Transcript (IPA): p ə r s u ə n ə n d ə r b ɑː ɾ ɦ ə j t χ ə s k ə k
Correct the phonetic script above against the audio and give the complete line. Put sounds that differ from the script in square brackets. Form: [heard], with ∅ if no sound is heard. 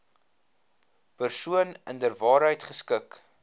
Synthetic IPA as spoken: p ə r s u ə n ə n d ə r [v] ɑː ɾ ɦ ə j t χ ə s k ə k